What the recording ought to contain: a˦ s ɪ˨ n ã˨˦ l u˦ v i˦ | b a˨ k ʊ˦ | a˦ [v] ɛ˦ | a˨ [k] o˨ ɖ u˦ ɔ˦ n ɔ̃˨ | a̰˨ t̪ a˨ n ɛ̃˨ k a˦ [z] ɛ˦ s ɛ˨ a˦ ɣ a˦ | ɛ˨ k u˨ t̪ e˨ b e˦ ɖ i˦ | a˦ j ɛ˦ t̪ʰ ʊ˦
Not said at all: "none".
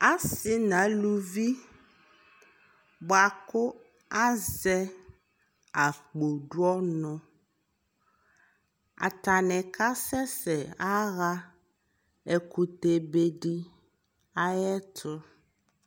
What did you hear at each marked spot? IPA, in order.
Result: z, k͡p, s

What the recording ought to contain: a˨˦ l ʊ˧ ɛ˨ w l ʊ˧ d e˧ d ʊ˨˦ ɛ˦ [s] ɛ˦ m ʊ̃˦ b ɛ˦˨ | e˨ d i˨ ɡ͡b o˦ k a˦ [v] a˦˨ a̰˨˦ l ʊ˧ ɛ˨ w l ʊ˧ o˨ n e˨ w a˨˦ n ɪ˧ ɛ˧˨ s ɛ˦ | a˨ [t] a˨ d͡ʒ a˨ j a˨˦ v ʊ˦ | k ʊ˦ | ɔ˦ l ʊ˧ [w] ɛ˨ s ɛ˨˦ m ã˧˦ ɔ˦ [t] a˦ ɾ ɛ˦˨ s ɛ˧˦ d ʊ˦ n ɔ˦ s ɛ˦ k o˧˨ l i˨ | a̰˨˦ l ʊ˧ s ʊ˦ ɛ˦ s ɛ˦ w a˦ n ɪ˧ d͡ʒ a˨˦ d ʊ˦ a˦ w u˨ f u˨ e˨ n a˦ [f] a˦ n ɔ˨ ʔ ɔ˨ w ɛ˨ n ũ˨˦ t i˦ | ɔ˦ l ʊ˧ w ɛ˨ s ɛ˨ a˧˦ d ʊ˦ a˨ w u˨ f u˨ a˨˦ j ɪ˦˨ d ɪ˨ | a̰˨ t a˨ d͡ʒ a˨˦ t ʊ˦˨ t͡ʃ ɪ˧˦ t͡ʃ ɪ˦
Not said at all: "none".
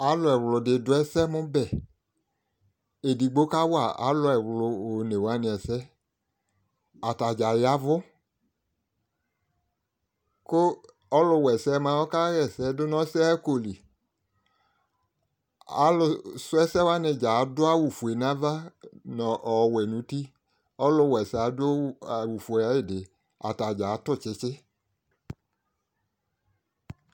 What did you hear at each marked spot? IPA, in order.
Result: s, w, t, w, k, v

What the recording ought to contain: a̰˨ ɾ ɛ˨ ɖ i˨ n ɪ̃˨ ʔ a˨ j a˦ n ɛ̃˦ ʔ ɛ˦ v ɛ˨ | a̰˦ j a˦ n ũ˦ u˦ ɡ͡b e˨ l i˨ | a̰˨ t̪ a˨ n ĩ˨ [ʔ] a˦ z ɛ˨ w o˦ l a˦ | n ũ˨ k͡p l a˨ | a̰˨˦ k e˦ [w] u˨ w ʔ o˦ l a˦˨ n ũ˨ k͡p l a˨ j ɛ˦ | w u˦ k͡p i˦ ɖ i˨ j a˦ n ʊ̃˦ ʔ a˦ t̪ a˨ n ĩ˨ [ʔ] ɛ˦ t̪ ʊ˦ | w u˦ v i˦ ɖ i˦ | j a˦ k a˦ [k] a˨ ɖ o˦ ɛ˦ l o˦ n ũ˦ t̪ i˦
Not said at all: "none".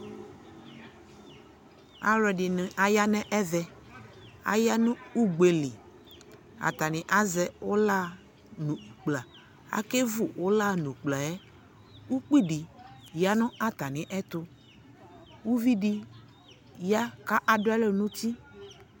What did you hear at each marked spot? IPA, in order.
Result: ʔ, v, ʔ, ʔ

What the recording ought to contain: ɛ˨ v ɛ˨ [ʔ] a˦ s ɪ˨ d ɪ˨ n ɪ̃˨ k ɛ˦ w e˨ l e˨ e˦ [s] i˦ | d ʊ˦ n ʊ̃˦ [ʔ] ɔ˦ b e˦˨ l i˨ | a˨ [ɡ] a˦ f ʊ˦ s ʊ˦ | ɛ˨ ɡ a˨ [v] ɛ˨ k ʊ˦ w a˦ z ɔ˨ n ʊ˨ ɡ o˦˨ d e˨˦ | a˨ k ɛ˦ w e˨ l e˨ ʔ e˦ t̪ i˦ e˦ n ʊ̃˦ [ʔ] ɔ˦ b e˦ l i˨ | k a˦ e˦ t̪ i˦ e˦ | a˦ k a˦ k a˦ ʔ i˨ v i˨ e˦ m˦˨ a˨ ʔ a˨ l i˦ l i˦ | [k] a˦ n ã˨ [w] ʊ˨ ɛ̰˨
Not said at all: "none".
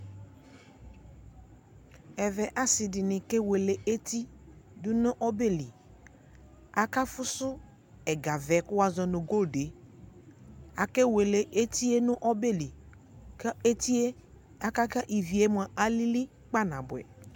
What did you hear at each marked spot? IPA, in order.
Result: ʔ, t, ʔ, k, v, ʔ, k͡p, b

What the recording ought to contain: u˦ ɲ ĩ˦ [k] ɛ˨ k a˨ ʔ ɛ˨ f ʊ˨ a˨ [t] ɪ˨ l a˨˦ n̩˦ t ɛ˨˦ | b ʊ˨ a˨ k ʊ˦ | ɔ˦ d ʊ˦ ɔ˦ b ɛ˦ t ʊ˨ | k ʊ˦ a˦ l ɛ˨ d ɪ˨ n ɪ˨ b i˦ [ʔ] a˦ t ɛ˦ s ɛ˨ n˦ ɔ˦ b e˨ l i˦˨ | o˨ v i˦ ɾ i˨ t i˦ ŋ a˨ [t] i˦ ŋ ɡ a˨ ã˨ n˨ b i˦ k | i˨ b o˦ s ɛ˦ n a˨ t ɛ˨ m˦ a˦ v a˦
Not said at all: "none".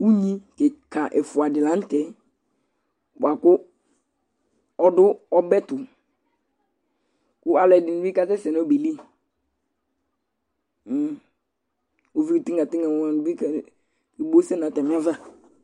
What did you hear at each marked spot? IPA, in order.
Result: k, d, k, t

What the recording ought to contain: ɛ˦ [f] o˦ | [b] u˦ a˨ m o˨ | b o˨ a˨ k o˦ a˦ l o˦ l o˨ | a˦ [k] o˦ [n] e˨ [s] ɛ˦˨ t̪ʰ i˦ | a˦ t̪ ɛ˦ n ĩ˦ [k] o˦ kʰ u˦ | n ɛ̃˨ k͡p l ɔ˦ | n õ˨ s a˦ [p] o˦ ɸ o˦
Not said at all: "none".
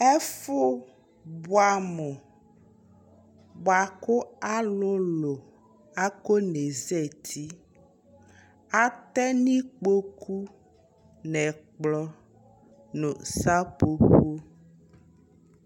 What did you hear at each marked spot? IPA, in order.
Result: f, b, k, n, z, k͡p, p

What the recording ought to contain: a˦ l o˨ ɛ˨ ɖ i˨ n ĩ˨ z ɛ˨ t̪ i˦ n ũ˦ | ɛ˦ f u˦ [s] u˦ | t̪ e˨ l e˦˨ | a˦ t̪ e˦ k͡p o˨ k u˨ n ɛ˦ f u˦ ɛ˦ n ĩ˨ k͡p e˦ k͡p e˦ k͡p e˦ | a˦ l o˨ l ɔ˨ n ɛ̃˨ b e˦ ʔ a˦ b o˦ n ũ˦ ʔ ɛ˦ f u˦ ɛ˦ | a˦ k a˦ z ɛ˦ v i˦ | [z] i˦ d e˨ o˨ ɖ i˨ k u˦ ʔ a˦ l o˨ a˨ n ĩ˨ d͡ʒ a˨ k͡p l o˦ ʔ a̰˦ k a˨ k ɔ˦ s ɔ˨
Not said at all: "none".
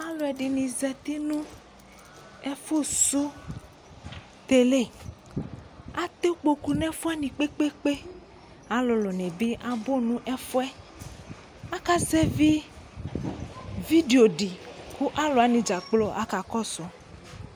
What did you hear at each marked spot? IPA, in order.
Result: s, v

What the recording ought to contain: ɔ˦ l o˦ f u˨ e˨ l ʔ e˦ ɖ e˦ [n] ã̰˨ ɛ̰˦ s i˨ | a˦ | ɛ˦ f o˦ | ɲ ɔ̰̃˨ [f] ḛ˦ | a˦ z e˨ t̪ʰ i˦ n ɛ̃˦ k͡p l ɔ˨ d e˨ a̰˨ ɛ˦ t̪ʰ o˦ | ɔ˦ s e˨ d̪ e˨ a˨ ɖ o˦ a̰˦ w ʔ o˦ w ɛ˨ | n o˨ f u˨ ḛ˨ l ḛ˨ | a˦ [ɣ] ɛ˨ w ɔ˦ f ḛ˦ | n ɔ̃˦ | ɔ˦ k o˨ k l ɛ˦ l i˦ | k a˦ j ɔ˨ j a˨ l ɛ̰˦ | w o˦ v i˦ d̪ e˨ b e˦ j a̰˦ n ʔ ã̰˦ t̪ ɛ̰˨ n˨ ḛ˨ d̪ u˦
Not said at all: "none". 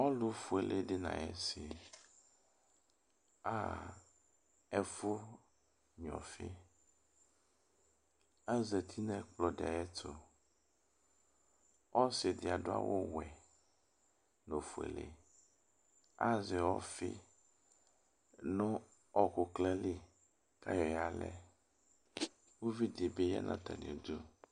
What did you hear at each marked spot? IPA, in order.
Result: n, f, z

